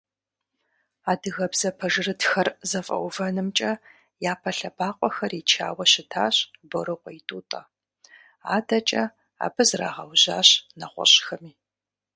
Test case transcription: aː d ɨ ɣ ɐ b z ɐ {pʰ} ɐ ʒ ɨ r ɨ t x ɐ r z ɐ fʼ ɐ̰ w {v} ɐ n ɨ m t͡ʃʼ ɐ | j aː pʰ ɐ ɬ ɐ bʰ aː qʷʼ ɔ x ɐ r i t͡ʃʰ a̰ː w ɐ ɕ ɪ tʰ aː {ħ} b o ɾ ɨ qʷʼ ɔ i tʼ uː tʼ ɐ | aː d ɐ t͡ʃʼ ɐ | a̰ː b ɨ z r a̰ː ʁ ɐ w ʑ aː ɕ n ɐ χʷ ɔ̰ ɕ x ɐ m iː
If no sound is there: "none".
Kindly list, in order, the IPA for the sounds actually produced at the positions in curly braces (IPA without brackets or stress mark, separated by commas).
pʰ, v, ɕ